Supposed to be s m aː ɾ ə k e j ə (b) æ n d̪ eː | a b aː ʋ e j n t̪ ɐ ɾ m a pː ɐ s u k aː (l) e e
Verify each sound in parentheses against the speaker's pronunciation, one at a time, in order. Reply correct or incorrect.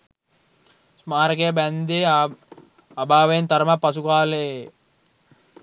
correct, correct

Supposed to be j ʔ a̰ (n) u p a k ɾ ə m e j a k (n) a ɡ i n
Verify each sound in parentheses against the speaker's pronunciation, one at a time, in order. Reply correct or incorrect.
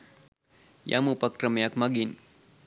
incorrect, incorrect

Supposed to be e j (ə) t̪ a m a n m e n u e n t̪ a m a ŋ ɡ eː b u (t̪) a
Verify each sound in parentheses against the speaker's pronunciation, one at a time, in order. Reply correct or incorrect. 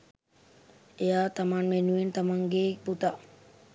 incorrect, correct

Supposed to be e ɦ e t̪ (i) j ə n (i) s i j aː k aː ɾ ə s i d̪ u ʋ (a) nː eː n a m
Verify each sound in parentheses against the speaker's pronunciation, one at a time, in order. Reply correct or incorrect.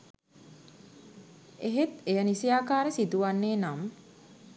incorrect, correct, correct

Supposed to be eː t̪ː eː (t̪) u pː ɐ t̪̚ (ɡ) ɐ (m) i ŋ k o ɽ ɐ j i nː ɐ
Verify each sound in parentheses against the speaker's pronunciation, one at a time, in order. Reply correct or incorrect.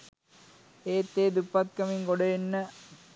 incorrect, incorrect, correct

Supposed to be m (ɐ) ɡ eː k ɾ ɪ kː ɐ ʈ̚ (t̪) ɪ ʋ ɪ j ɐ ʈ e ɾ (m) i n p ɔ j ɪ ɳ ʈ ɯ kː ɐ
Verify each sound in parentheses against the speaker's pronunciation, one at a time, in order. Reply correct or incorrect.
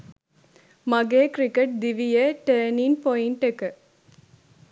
correct, incorrect, incorrect

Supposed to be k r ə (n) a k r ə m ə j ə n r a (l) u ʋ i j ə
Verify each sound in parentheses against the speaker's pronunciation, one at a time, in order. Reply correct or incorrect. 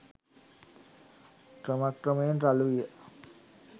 incorrect, correct

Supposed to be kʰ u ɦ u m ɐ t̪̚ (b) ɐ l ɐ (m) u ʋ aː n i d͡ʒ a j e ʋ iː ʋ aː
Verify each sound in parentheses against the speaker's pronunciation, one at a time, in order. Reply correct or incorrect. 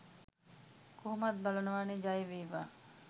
correct, incorrect

